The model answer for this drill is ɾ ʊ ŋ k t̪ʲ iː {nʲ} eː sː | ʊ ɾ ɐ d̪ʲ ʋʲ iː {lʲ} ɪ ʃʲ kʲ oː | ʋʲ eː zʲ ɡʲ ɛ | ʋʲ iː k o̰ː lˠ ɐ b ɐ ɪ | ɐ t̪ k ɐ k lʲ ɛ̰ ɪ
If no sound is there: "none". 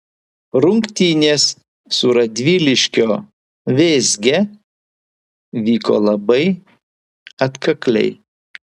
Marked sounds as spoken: nʲ, lʲ

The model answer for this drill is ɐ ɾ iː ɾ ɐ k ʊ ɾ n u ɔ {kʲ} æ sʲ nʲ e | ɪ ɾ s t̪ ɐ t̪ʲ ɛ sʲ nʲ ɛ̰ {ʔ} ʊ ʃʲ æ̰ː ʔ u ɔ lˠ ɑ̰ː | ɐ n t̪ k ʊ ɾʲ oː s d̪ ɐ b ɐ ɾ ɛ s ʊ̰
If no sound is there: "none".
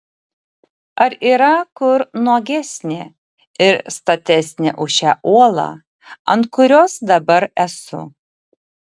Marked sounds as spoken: ɡʲ, ʔ

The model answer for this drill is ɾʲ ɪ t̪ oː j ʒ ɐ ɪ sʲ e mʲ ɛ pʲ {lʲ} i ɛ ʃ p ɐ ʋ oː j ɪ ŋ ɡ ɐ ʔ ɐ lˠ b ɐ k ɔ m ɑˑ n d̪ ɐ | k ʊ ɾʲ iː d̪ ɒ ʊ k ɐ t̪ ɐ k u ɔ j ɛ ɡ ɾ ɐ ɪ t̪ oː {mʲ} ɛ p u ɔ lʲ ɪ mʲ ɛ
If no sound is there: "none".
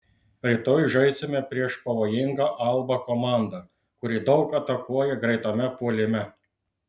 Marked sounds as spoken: ɾʲ, mʲ

